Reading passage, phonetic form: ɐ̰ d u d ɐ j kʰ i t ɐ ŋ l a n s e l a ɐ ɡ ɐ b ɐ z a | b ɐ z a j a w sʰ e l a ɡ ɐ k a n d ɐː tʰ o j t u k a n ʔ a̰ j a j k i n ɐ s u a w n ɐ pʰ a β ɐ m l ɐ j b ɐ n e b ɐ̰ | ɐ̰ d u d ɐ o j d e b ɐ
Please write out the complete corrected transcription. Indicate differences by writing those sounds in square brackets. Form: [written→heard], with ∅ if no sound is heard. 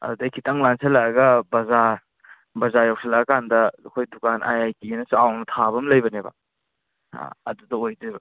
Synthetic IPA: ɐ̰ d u d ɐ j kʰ i t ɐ ŋ l a n s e l a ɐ ɡ ɐ b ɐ z a | b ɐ z a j a w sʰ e l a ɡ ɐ k a n d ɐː [tʰ→kʰ] o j [t→d] u k a n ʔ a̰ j a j k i n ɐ s u a w n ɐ [pʰ→tʰ] a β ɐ m l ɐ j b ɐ n e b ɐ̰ | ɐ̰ d u d ɐ o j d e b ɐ